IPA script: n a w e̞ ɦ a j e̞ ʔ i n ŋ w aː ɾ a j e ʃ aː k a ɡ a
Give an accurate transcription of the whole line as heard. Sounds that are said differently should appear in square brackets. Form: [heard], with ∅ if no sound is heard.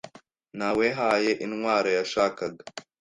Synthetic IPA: n a w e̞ ɦ a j e̞ ʔ i n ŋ w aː ɾ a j [a] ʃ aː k a ɡ a